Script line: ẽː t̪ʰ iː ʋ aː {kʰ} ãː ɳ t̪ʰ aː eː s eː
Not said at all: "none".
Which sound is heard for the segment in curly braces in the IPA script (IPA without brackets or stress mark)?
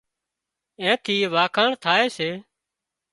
kʰ